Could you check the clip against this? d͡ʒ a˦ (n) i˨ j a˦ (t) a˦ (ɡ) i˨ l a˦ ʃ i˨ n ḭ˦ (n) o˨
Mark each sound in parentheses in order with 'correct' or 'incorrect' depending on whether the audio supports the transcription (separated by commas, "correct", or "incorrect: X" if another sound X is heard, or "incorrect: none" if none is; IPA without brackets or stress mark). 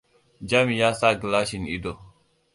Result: incorrect: m, incorrect: s, correct, incorrect: d